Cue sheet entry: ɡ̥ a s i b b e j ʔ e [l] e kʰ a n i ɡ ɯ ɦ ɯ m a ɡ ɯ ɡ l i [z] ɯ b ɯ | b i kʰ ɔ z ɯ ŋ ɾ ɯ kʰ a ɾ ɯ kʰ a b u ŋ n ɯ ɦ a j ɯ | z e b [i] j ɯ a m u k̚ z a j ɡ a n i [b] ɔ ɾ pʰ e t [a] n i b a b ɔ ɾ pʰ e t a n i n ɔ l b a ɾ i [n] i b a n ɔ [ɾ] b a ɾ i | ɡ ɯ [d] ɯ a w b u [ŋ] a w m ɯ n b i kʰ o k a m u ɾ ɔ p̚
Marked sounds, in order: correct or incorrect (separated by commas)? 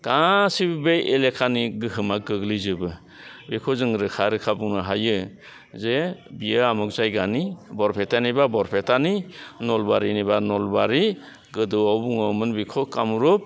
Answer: correct, correct, correct, correct, correct, correct, incorrect, correct, correct